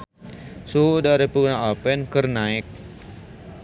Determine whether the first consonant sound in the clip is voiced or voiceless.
voiceless